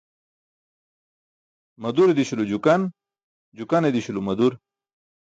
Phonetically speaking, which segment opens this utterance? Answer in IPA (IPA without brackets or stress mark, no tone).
m